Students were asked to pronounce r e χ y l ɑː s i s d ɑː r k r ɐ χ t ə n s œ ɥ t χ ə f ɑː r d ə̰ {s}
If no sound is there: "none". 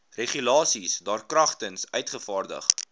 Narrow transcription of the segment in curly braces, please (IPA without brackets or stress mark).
χ